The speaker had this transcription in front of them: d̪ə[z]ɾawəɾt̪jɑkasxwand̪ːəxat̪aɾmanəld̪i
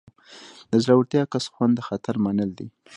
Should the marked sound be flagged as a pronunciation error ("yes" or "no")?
no